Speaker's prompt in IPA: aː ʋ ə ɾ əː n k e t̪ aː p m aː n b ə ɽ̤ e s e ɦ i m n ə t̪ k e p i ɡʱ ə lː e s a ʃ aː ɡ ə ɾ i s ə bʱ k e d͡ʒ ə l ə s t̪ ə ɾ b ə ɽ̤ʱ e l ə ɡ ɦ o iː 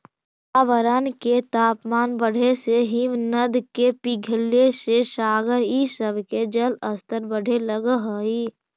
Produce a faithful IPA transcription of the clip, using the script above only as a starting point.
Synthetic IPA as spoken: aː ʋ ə ɾ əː n k e t̪ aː p m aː n b ə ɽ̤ e s e ɦ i m n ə d̪ k e p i ɡʱ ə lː e s e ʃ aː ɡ ə ɾ i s ə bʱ k e d͡ʒ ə l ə s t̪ ə ɾ b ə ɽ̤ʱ e l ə ɡ ɦ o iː